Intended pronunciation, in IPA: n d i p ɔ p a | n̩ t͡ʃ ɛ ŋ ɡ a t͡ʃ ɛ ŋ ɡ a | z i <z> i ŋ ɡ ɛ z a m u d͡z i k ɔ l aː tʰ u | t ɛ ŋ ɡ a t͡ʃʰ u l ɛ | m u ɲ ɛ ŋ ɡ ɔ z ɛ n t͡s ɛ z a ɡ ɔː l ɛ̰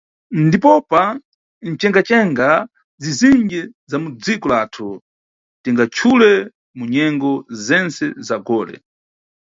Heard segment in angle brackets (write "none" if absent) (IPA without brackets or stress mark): z